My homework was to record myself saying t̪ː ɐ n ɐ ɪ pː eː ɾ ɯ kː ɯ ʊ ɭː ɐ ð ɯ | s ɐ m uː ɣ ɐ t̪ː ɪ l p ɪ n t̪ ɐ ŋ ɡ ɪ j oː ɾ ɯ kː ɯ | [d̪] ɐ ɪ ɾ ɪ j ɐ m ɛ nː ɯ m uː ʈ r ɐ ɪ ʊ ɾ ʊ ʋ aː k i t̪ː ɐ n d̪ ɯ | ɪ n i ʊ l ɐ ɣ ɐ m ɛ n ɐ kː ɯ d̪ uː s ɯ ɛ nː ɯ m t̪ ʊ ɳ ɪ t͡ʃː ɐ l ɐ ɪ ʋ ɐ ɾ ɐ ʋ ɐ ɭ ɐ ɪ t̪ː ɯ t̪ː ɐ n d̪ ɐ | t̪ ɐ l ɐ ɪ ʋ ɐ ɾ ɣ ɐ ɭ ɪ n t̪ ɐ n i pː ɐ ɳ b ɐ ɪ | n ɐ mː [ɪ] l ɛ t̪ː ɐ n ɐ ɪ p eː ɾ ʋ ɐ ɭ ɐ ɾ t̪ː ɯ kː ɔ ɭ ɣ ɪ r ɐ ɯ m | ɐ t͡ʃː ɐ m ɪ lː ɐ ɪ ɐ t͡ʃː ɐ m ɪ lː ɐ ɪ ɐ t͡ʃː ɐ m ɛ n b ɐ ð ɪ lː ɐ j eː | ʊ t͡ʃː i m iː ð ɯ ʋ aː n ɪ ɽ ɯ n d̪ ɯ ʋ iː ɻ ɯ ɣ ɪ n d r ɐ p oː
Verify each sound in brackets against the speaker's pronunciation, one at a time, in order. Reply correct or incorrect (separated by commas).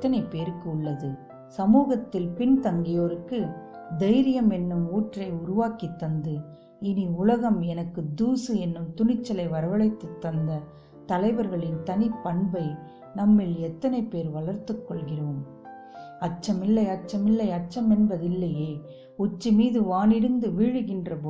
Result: correct, correct